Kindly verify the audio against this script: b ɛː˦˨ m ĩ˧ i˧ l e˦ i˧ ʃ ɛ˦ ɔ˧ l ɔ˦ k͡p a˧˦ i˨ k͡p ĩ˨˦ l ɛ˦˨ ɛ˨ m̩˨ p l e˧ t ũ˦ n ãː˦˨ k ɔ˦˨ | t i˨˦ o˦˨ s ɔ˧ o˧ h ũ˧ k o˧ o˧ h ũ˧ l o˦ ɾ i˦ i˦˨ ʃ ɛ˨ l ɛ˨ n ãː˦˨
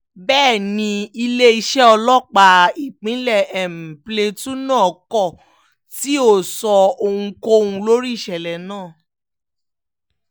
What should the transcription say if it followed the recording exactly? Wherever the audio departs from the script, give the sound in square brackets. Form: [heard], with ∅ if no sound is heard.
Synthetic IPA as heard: b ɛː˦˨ [n] ĩ˧ i˧ l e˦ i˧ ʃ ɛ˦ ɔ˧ l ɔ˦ k͡p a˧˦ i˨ k͡p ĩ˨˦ l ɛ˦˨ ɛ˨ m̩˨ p l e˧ t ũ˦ n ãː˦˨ k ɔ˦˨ | t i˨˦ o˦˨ s ɔ˧ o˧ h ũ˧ k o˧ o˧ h ũ˧ l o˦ ɾ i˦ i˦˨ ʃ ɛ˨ l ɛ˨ n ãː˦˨